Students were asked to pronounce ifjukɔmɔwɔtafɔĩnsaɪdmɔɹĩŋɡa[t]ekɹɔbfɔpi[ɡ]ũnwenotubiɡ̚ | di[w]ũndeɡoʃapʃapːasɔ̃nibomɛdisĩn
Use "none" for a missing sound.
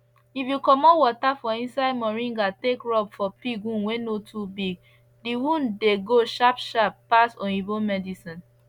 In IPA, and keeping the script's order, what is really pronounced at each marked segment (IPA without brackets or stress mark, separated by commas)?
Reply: t, ɡ, w